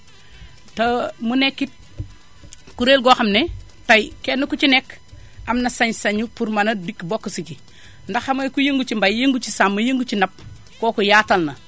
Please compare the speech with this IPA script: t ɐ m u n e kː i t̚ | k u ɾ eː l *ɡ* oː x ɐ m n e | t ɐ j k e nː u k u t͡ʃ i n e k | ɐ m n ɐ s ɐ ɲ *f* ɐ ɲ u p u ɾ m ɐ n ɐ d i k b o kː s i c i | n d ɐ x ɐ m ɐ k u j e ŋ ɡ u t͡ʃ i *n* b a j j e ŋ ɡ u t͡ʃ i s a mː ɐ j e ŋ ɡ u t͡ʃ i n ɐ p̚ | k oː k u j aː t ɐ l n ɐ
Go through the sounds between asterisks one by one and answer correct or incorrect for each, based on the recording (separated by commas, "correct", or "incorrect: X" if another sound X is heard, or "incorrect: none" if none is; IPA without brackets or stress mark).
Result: correct, incorrect: s, incorrect: m